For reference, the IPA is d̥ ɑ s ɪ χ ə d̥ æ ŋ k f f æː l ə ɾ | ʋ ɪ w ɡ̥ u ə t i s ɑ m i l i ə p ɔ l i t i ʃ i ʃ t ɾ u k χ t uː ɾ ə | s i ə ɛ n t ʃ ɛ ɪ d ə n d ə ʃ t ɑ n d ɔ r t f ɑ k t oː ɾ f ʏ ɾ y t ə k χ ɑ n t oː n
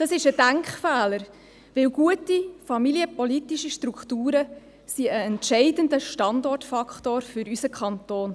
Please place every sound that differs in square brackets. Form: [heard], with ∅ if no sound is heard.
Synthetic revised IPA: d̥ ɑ s ɪ [ʃ] ə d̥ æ ŋ k [χ] f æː l ə ɾ | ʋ ɪ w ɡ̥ u ə t i [f] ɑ m i l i ə p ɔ l i t i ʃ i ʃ t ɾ u k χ t uː ɾ ə | s i ə ɛ n t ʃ ɛ ɪ d ə n d ə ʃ t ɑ n d ɔ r t f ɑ k t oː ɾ f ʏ ɾ y [s] ə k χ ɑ n t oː n